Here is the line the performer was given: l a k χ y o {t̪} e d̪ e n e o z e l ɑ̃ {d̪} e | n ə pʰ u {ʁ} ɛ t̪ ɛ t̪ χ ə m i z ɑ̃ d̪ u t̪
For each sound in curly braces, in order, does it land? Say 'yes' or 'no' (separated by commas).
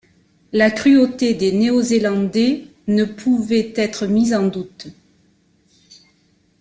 yes, yes, no